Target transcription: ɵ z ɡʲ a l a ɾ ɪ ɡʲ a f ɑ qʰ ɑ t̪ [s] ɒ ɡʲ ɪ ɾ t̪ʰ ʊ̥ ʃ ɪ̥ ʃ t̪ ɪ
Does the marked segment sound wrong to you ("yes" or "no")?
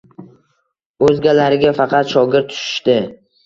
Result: yes